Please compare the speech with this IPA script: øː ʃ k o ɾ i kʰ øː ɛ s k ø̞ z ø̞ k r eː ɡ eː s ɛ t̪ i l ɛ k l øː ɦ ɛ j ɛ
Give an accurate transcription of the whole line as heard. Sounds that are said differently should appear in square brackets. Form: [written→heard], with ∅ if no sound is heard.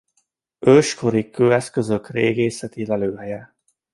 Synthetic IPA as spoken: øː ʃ k o ɾ i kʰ øː ɛ s k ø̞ z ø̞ k r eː ɡ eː s ɛ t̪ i l ɛ [k→∅] l øː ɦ ɛ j ɛ